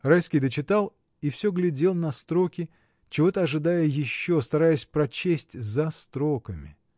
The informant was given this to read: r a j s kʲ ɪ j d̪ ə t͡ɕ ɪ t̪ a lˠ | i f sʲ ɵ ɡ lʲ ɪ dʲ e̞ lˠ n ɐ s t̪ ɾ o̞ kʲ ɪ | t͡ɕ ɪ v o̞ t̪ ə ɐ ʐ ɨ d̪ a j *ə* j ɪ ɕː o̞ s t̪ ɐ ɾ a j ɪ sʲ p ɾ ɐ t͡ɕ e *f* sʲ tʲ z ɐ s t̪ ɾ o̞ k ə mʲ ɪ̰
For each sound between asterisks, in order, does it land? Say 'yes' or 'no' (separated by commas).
yes, no